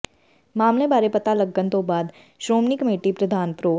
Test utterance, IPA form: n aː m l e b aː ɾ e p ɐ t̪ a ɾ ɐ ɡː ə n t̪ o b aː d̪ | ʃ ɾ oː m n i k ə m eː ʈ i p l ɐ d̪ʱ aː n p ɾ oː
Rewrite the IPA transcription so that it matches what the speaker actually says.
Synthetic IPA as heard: m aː m l e b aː ɾ e p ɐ t̪ a l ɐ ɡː ə n t̪ o b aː d̪ | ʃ ɾ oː m n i k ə m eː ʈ i p ɾ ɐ d̪ʱ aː n p ɾ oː